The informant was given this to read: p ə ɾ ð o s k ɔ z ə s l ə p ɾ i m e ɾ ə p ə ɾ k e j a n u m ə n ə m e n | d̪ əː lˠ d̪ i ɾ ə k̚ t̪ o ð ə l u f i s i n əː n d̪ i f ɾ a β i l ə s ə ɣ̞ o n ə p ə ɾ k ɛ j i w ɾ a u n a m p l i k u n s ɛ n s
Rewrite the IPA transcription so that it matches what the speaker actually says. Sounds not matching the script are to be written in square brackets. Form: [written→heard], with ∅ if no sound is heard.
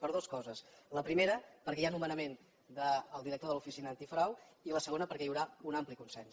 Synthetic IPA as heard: p ə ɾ ð o s k ɔ z ə s l ə p ɾ i m e ɾ ə p ə ɾ k [e→ɛ] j a n u m ə n ə m e n | d̪ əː lˠ d̪ i ɾ ə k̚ t̪ o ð ə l u f i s i n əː n [d̪→t̪] i f ɾ a [β→w] i l ə s ə ɣ̞ o n ə p ə ɾ k ɛ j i w ɾ a u n a m p l i k u n s ɛ n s